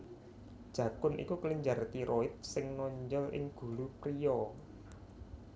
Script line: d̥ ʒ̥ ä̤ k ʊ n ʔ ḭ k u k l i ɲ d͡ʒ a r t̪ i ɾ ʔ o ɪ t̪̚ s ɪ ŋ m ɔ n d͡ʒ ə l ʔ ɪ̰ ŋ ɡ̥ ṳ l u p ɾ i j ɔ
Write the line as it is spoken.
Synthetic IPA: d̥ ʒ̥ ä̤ k ʊ n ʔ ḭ k u k l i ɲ d͡ʒ a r t̪ i ɾ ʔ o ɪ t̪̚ s ɪ ŋ n ɔ ɲ d͡ʒ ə l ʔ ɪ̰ ŋ ɡ̥ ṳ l u p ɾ i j ɔ

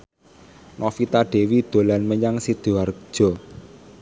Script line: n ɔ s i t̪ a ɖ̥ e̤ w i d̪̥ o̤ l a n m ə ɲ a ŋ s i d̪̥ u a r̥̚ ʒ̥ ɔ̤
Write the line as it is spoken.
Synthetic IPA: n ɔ f i t̪ a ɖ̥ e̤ w i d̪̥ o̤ l a n m ə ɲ a ŋ s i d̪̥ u a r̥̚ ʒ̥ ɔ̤

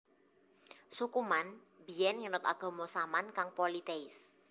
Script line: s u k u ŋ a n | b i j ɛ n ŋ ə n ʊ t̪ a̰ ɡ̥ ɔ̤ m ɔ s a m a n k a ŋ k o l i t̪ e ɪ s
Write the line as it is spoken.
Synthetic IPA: s u k u m a n | b i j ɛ n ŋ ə n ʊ t̪ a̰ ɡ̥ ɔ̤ m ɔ s a m a n k a ŋ p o l i t̪ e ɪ s

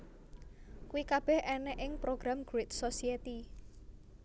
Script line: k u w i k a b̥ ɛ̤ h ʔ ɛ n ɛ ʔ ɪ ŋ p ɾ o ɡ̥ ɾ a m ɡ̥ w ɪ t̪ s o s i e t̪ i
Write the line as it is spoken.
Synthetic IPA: k u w i k a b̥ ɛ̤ h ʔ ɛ n ɛ ʔ ɪ ŋ p ɾ o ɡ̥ ɾ a m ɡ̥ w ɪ t̪ s o s i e t̪ i

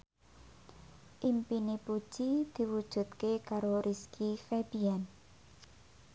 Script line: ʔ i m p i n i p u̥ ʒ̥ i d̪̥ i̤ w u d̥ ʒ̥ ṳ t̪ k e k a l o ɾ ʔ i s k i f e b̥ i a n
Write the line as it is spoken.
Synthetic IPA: ʔ i m p i n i p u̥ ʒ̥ i d̪̥ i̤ w u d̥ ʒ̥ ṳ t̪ k e k a ɾ o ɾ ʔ i s k i f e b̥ i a n

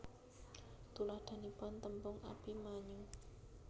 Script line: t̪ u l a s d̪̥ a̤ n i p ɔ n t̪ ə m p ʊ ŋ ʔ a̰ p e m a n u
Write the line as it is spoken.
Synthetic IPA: t̪ u l a h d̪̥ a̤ n i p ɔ n t̪ ə m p ʊ ŋ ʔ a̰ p i m a ɲ u

